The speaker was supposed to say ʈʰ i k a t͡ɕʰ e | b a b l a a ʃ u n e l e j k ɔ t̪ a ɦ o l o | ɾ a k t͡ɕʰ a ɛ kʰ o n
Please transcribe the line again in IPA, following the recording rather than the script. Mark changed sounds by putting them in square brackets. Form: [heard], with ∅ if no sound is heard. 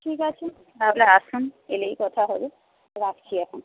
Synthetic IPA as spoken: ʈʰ i k a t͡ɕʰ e | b a b l a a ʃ u n e l e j k ɔ [t̪ʰ] a ɦ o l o | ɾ a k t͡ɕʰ [i] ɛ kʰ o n